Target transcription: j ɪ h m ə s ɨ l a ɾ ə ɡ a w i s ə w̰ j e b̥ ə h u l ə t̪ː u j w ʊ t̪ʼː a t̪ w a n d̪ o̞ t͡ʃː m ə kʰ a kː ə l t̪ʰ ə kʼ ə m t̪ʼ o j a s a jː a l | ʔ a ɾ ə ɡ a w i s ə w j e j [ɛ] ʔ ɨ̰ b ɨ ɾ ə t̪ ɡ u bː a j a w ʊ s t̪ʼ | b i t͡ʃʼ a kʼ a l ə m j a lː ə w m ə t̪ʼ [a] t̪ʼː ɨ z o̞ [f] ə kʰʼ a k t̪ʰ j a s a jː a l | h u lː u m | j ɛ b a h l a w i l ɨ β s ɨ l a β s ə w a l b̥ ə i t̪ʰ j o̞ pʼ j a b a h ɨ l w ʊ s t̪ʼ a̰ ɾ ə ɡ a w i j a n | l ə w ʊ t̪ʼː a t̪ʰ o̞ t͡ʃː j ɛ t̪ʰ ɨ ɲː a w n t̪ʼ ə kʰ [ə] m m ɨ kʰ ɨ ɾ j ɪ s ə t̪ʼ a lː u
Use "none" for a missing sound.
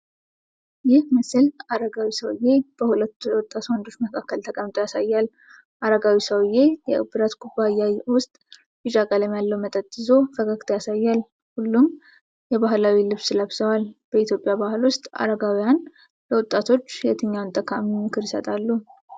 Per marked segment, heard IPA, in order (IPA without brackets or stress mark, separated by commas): ɛ, ə, f, a